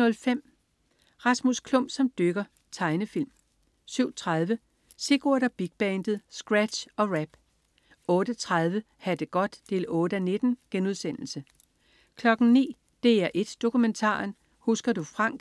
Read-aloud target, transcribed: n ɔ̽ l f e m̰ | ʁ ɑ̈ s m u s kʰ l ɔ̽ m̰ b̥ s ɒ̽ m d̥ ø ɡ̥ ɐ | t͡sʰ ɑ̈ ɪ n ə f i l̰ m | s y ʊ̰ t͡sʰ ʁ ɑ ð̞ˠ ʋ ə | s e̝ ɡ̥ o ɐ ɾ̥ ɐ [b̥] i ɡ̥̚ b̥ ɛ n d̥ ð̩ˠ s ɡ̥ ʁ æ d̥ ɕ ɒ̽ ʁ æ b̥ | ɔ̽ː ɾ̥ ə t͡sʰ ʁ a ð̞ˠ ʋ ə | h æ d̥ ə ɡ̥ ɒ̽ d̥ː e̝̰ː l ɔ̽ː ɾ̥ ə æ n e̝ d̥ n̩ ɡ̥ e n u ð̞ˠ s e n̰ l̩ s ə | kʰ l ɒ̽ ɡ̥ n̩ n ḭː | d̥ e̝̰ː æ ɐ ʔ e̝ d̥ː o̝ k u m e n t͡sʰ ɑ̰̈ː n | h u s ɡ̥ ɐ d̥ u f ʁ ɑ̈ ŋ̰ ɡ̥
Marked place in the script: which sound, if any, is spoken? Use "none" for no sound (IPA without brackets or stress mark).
b̥